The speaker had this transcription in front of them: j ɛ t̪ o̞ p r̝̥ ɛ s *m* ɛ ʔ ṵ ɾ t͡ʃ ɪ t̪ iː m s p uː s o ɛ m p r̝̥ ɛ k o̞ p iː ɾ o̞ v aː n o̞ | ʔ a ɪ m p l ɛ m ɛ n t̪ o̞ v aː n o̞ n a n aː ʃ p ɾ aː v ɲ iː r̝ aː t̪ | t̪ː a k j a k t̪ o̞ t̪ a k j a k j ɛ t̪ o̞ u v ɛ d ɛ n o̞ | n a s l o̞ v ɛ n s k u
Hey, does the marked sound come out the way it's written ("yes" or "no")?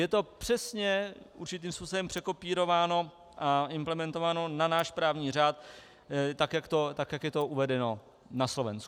no